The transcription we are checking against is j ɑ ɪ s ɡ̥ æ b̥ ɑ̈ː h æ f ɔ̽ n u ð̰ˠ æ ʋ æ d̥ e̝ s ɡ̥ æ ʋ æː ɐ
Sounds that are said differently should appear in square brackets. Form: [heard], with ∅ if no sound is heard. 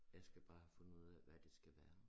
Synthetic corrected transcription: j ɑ ɪ s ɡ̥ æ b̥ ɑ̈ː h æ f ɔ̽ n u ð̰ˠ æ ʋ æ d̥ e̝ s ɡ̥ æ ʋ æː ɐ